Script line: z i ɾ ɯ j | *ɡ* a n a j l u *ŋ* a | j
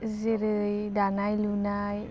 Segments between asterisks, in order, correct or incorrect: incorrect: d, incorrect: n

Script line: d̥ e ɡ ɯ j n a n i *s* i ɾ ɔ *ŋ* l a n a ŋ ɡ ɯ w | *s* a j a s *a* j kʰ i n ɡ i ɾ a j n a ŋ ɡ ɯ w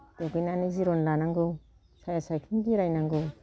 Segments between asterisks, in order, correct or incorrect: incorrect: z, incorrect: n, correct, correct

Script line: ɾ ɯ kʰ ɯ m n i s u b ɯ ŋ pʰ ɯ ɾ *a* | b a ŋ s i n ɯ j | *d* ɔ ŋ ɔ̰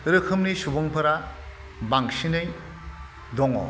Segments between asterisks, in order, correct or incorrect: correct, correct

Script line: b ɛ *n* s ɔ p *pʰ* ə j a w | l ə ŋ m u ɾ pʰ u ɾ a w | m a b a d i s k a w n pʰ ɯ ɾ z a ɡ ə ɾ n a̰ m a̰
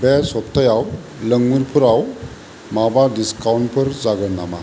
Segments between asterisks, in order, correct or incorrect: incorrect: none, incorrect: tʰ

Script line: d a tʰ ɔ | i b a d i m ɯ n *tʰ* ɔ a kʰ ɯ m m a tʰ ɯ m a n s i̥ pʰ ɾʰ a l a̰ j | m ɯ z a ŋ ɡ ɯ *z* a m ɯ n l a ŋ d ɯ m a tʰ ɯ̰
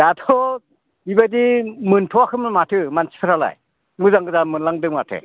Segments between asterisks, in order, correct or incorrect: correct, correct

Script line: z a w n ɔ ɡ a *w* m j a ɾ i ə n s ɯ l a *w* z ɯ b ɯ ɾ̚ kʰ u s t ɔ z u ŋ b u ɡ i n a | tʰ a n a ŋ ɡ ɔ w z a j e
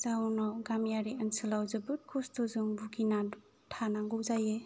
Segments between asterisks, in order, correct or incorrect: incorrect: none, correct

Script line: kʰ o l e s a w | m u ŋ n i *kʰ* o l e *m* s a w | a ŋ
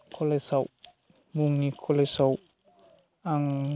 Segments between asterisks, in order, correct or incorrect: correct, incorrect: none

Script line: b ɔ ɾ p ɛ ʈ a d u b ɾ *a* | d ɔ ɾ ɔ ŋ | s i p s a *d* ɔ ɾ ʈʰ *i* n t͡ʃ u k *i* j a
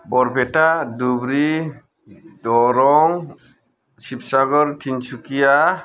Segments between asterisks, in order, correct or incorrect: incorrect: i, incorrect: ɡ, correct, correct

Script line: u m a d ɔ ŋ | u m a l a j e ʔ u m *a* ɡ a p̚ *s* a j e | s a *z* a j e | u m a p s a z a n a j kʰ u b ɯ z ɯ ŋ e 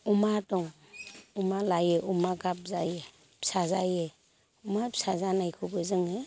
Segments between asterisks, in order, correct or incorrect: correct, incorrect: z, correct

